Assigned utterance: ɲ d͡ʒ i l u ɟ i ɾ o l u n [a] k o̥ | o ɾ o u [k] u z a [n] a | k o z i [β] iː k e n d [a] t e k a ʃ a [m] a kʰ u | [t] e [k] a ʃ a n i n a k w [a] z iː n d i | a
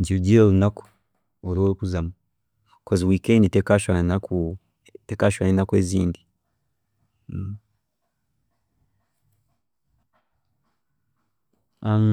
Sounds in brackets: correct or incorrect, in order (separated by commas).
correct, correct, incorrect, incorrect, incorrect, incorrect, correct, correct, incorrect